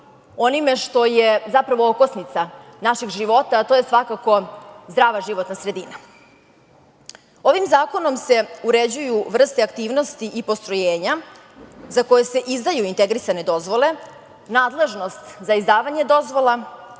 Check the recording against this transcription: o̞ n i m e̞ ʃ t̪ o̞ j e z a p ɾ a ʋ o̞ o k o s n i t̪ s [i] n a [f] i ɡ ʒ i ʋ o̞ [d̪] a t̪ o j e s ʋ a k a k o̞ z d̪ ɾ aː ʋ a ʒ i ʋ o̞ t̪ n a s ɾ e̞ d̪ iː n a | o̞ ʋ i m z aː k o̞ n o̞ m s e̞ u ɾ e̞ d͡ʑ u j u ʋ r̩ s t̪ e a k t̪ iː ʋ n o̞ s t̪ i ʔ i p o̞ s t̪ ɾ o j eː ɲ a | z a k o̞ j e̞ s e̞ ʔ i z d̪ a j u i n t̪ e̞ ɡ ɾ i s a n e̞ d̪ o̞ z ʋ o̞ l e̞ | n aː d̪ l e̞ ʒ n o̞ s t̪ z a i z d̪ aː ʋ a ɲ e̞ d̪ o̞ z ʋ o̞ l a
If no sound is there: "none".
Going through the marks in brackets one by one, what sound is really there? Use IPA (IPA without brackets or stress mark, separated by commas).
a, ʃ, t̪